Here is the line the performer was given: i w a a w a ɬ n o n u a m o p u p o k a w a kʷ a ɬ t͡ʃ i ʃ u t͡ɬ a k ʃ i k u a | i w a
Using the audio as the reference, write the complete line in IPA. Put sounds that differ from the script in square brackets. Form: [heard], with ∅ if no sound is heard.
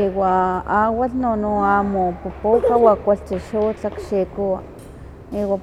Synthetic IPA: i w a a w a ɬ n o n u a m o p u p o k a w a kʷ a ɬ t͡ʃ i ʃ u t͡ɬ a k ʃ i k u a | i w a